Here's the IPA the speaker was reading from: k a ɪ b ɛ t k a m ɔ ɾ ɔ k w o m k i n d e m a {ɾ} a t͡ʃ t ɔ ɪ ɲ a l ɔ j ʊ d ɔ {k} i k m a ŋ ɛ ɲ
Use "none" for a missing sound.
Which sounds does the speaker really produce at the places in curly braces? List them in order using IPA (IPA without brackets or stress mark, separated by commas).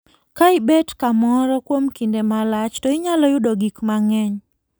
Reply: l, ɡ